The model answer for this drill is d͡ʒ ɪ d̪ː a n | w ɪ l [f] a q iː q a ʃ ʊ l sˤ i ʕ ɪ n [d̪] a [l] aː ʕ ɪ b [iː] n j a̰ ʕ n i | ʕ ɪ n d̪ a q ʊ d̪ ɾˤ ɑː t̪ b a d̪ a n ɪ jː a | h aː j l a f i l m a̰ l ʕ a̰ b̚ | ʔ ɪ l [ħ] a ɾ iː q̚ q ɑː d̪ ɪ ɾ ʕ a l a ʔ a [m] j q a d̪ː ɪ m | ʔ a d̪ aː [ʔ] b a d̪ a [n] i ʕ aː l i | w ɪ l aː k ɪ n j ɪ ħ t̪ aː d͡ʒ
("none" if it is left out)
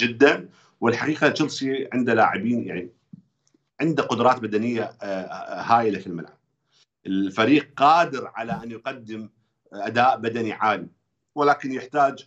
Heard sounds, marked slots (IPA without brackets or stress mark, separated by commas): ħ, d̪, l, iː, f, n, ʔ, n